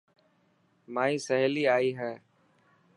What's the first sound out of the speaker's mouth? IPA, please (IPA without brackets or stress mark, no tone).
m